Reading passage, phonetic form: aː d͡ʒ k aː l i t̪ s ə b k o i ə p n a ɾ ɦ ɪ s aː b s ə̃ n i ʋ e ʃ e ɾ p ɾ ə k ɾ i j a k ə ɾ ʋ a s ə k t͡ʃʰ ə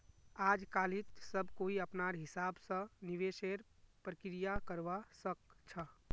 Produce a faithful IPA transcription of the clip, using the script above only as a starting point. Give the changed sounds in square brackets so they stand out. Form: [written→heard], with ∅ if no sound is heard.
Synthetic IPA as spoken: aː d͡ʒ k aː l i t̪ s ə b k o i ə p n a ɾ ɦ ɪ s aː b s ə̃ n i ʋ e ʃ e ɾ p ɾ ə k ɾ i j a k ə ɾ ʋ a s ə k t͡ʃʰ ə